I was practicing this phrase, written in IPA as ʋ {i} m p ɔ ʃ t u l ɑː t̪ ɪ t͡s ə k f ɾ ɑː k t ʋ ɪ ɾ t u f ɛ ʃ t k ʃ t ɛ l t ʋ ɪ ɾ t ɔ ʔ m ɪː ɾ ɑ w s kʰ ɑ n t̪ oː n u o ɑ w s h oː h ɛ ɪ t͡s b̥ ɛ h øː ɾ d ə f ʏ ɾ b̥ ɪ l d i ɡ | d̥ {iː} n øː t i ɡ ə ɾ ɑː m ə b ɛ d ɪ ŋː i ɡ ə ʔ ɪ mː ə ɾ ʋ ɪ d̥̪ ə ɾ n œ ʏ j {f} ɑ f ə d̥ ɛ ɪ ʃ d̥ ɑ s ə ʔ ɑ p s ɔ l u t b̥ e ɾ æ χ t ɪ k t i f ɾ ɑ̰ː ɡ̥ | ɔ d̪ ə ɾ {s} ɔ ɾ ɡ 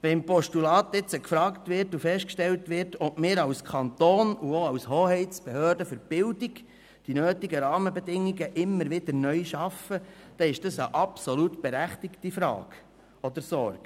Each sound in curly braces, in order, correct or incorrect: incorrect: ɛ, incorrect: i, incorrect: ʃ, correct

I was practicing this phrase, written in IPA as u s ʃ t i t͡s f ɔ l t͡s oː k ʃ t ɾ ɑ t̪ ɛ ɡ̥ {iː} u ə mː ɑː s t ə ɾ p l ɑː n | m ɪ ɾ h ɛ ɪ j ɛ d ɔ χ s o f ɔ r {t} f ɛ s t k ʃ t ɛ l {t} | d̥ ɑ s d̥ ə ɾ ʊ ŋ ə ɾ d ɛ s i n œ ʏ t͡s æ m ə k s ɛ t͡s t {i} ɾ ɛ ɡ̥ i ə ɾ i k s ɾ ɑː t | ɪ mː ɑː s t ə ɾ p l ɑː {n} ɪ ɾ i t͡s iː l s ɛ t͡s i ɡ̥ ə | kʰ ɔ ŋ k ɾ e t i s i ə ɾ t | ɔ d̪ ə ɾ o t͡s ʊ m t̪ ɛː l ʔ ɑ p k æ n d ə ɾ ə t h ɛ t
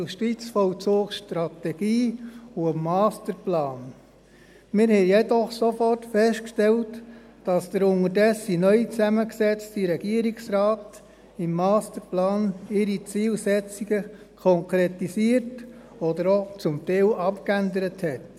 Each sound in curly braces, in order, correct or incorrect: correct, correct, correct, correct, correct

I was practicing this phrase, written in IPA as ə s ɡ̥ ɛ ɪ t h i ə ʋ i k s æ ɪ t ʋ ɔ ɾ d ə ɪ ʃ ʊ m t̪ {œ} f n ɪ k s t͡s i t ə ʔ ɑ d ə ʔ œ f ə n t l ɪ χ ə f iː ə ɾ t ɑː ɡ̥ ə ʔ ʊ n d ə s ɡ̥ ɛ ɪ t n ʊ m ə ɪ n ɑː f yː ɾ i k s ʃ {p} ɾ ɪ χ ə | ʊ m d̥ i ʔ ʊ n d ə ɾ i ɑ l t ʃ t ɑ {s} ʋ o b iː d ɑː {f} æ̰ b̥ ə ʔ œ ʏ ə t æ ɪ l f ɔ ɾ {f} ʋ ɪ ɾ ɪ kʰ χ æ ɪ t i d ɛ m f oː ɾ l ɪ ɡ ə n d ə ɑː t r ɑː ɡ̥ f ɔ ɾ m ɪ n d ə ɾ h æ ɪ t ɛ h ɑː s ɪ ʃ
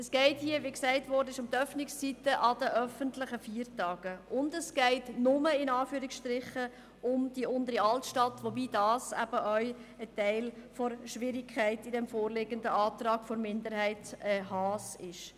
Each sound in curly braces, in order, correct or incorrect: correct, incorrect: t, incorrect: t, incorrect: s, incorrect: ʃ

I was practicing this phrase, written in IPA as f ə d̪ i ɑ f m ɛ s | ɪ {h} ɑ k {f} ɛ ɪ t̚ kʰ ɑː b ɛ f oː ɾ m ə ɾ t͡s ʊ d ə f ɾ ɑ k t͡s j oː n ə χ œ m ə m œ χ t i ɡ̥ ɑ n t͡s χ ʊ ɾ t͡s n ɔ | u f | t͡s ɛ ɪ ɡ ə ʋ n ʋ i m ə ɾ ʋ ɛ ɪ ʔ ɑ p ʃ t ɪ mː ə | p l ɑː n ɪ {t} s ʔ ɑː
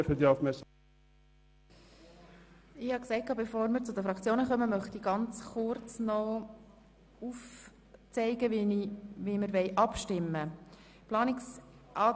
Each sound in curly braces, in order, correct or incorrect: correct, incorrect: s, incorrect: k

